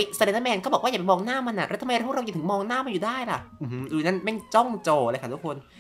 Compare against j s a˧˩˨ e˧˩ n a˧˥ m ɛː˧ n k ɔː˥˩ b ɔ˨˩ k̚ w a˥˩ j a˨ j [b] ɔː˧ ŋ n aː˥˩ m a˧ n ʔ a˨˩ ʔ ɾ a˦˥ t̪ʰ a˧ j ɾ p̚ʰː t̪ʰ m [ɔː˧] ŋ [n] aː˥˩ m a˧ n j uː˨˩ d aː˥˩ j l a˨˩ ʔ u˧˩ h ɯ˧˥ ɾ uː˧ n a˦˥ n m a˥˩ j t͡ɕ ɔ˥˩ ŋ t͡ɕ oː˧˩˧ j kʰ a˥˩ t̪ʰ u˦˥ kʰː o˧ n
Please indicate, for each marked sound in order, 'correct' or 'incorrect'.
incorrect, correct, correct

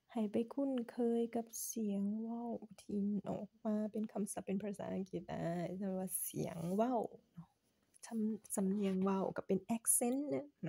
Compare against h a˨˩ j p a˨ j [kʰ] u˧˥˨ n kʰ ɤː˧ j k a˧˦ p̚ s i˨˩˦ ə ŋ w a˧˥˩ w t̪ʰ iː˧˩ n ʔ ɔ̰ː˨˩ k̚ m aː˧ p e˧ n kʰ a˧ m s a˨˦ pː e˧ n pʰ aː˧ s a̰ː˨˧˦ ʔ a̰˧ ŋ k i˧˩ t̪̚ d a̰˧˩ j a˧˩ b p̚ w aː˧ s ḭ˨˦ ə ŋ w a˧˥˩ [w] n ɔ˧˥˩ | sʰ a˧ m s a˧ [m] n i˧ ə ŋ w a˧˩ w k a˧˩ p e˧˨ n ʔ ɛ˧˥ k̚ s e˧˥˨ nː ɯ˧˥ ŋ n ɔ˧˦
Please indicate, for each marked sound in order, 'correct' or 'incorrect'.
correct, correct, correct

